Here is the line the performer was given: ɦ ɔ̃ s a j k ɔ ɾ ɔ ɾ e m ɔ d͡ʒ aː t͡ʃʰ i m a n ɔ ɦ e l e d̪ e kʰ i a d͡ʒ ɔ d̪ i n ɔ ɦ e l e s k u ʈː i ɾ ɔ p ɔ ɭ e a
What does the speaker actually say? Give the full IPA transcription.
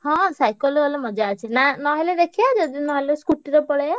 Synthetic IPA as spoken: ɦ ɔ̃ s a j k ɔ l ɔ l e m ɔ d͡ʒ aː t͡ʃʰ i n a n ɔ ɦ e l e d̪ e kʰ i a d͡ʒ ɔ d̪ i n ɔ ɦ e l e s k u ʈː i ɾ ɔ p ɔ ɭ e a